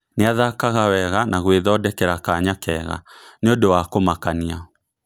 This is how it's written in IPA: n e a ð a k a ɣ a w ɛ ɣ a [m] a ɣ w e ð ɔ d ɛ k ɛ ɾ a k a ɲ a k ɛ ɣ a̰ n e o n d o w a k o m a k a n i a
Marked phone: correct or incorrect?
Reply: incorrect